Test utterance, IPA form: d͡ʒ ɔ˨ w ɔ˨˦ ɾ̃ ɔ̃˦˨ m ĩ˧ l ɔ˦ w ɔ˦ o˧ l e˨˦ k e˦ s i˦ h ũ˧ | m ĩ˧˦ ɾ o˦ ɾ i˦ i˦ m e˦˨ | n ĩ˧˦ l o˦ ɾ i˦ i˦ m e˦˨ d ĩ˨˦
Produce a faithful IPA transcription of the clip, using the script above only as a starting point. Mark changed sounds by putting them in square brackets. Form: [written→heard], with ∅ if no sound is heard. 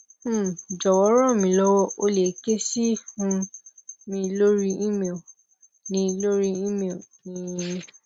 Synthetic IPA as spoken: d͡ʒ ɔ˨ w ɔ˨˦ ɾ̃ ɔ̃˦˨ m ĩ˧ l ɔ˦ w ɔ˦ o˧ l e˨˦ k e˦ s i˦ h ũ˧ | m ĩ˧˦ [ɾ→l] o˦ ɾ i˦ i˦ m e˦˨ | n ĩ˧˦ l o˦ ɾ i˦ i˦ m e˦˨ [d→n] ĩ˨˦